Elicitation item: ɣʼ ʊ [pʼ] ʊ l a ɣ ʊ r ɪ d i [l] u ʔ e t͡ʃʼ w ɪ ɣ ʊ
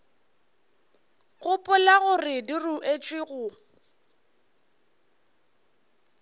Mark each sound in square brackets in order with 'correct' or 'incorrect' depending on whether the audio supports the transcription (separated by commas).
correct, incorrect